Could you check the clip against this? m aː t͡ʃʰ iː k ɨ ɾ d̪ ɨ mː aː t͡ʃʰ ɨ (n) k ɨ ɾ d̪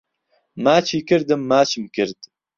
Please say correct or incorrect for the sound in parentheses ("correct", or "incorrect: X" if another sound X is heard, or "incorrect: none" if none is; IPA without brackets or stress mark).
incorrect: m